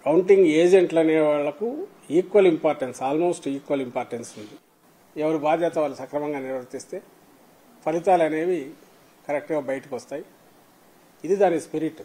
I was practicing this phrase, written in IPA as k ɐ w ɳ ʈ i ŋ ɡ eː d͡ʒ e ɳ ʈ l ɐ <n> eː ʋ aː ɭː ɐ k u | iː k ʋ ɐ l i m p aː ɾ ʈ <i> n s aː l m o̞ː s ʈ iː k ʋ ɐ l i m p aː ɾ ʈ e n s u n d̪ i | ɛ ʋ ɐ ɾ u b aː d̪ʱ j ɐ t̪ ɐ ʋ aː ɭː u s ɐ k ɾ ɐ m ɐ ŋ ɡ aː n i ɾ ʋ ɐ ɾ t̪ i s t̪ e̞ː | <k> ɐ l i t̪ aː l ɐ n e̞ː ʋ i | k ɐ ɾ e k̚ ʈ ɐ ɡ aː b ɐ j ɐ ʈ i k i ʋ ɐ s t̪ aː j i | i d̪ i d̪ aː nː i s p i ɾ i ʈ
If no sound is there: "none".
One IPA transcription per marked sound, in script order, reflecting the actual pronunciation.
n, e, p

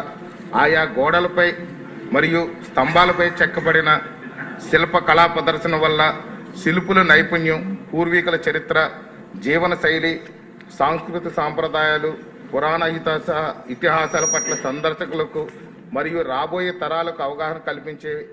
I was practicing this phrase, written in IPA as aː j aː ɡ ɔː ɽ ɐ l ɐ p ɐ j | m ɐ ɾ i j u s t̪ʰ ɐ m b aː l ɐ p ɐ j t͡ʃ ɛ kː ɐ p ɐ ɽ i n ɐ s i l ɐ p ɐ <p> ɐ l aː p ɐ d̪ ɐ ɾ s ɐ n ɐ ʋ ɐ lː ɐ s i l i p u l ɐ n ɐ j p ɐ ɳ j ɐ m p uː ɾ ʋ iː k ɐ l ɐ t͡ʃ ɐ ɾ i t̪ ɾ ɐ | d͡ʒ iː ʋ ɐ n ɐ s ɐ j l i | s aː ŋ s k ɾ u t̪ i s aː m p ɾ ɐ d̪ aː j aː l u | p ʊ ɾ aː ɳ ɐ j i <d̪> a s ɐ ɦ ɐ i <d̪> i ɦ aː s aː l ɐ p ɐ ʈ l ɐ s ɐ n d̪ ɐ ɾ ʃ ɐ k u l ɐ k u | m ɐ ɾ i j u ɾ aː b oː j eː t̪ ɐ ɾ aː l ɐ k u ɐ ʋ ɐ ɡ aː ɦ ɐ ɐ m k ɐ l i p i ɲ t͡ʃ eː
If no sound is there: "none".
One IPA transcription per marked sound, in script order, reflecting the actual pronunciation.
k, t̪, t̪

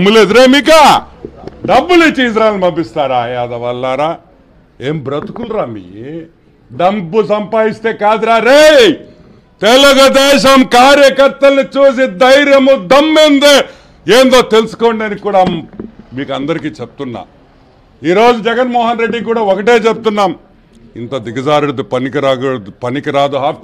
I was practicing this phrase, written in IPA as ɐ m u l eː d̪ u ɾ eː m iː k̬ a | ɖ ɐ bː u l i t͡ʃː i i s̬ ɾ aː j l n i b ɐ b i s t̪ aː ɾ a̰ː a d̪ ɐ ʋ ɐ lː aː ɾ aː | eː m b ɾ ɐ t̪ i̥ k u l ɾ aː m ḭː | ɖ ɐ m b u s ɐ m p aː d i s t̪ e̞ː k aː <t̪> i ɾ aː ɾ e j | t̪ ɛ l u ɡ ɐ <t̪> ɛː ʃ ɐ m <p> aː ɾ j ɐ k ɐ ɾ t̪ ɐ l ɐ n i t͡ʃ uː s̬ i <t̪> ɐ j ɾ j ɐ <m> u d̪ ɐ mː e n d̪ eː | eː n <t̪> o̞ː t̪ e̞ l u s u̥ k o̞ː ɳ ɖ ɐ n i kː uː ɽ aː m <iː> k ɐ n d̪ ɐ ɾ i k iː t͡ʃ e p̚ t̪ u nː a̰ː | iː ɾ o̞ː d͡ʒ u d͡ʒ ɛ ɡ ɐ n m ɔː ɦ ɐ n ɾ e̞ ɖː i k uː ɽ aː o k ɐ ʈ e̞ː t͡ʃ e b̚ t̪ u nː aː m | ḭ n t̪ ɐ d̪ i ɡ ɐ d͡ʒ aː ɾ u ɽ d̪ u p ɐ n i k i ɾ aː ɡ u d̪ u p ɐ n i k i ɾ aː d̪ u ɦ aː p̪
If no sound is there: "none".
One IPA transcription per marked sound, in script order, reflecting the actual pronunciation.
d̪, d̪, k, d̪, m, d̪, iː

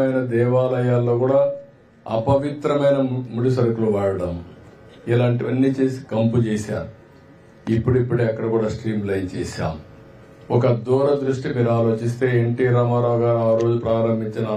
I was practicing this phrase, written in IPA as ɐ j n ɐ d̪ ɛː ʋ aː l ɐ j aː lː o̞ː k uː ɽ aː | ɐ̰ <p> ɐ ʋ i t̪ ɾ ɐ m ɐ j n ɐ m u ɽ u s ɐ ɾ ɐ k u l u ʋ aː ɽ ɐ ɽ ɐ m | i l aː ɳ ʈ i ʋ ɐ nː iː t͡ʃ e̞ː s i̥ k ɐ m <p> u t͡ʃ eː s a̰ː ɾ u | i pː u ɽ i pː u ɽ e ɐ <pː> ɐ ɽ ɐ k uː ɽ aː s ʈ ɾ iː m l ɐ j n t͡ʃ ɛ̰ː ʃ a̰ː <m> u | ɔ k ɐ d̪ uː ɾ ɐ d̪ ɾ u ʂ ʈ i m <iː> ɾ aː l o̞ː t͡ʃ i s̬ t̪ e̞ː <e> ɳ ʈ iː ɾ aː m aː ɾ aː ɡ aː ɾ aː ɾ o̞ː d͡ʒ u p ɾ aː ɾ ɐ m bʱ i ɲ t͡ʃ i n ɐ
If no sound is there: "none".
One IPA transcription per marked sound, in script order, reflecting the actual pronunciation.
p, p, kː, m, iː, e

